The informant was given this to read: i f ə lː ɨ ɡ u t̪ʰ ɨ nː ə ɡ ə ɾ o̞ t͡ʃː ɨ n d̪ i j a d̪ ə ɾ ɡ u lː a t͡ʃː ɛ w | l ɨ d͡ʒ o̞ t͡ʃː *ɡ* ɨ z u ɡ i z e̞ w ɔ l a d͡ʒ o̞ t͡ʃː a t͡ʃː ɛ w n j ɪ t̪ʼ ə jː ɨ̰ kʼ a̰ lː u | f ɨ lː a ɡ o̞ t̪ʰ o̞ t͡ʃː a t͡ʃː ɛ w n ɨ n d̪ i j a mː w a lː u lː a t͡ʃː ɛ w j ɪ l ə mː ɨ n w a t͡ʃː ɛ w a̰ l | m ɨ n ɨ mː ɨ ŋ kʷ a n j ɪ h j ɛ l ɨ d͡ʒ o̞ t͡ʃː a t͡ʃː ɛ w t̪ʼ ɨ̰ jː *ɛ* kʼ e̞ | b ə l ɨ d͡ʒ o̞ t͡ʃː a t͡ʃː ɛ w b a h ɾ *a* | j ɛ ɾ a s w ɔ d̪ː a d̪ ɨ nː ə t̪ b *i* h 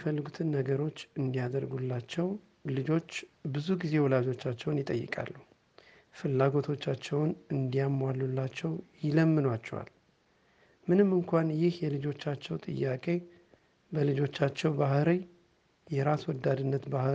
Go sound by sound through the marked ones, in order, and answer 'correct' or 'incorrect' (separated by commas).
incorrect, incorrect, incorrect, incorrect